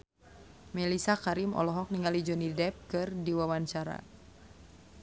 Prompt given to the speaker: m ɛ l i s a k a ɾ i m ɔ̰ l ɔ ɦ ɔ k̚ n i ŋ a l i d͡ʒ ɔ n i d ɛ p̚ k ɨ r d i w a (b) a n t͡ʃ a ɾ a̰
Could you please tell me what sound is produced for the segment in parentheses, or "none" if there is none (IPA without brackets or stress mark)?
w